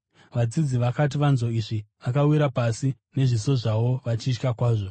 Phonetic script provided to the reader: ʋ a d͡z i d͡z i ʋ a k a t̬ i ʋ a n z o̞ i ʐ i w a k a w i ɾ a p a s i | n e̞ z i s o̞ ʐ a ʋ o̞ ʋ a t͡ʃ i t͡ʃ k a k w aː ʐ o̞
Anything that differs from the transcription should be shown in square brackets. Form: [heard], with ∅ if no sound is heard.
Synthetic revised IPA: ʋ a d͡z i d͡z i ʋ a k a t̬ i ʋ a n z o̞ i ʐ i [ʋ] a k a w i ɾ a p a s i | n e̞ [ʐ] i s o̞ ʐ a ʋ o̞ ʋ a t͡ʃ i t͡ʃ k a k w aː ʐ o̞